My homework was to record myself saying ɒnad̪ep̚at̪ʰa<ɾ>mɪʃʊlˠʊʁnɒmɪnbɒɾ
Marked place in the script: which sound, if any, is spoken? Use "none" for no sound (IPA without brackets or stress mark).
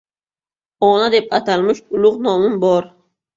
l